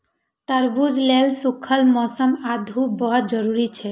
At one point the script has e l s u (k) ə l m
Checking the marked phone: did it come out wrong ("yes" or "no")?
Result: yes